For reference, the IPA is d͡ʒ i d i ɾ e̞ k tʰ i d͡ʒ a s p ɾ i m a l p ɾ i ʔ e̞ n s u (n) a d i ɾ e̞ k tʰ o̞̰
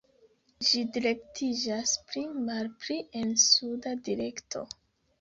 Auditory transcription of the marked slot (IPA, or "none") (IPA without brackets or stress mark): d